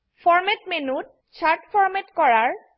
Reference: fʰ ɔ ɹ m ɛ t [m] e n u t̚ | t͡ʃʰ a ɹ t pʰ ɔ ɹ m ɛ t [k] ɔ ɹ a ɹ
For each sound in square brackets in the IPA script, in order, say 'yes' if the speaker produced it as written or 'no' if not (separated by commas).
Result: yes, yes